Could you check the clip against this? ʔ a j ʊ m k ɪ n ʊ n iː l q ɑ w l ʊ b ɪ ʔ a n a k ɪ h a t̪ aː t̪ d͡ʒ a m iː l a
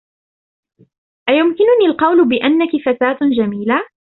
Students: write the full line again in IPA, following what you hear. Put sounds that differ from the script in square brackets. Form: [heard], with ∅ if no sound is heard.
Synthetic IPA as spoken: ʔ a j ʊ m k ɪ n ʊ n iː l q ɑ w l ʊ b ɪ ʔ a [nː] a k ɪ [f] a t̪ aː t̪ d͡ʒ a m iː l a